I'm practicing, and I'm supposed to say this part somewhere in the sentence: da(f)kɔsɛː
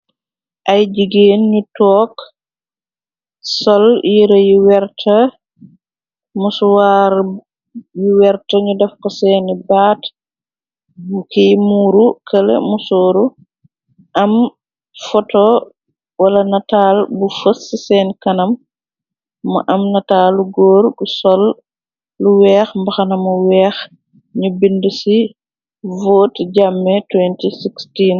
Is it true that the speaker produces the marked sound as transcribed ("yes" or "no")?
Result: yes